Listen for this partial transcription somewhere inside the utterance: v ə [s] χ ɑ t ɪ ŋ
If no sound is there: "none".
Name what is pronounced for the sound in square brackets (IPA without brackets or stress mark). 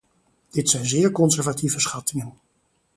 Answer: s